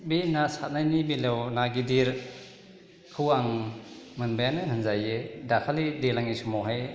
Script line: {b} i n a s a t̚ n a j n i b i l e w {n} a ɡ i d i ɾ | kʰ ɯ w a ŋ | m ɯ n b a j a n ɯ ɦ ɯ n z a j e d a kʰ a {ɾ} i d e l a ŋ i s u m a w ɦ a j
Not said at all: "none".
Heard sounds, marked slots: b, n, l

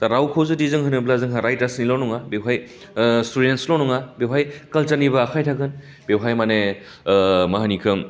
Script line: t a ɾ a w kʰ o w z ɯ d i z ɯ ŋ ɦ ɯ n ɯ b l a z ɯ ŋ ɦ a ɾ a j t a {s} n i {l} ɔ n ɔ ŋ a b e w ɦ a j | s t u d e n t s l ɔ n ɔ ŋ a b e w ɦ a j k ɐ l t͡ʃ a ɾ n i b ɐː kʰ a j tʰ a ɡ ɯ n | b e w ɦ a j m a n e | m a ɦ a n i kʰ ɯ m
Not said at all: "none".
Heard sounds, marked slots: s, l

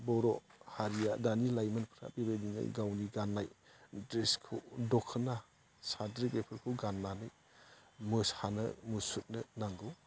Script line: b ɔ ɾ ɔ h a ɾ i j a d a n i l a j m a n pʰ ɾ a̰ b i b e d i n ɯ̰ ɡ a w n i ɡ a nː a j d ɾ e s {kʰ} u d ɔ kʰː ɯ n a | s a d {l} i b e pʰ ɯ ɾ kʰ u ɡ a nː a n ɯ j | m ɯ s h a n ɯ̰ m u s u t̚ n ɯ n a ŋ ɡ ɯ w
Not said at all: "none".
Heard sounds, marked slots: kʰ, ɾ

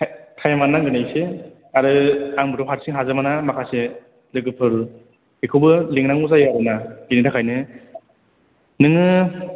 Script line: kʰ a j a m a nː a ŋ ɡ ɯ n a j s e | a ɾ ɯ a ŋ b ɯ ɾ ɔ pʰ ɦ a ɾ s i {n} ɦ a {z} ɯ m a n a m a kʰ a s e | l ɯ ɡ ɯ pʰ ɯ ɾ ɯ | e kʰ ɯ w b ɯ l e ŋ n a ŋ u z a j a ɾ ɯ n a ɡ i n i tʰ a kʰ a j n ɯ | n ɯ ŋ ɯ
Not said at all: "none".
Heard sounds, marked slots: ŋ, z

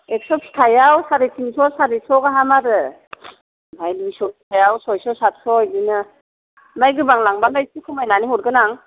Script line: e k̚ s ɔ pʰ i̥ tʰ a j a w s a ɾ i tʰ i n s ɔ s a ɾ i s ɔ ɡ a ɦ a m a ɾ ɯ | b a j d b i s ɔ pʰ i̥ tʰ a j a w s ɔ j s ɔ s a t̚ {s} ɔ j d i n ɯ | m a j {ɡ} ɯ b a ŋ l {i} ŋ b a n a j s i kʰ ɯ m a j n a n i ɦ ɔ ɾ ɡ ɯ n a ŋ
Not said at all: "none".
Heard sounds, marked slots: s, ɡ, a

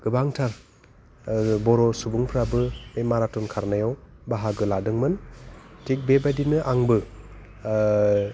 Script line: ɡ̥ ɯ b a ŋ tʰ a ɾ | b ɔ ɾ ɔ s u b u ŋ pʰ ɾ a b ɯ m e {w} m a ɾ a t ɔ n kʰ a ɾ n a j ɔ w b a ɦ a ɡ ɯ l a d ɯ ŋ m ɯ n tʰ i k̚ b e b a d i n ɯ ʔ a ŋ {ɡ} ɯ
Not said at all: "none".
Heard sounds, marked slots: none, b

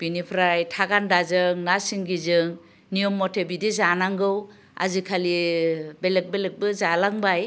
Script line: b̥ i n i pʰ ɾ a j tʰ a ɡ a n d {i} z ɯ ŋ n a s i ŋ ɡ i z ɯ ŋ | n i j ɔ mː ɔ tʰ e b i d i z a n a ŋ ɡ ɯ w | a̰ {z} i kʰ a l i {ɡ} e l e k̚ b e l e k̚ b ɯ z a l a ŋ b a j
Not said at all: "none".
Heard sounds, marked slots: a, z, b

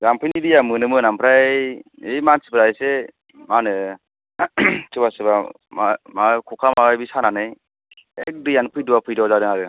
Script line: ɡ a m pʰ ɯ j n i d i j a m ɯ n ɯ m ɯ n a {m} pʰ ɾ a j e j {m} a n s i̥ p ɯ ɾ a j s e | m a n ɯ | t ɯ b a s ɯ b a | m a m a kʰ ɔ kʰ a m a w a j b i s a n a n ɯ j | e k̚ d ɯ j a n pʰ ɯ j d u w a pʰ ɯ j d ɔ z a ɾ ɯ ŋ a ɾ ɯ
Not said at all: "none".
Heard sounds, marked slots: m, m

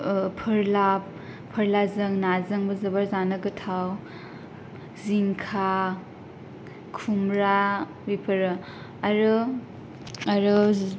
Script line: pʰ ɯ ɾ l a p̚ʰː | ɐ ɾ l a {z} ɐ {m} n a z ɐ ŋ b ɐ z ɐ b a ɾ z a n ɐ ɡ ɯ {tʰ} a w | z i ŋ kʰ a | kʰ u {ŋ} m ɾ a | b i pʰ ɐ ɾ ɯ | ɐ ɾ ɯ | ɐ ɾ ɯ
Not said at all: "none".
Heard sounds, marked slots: z, ŋ, tʰ, none

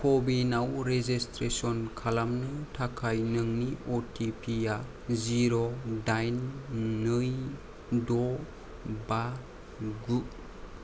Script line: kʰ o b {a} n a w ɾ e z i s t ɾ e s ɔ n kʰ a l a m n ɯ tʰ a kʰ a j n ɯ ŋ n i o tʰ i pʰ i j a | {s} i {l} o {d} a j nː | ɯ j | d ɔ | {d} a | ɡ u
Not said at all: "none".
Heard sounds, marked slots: i, z, ɾ, d, b

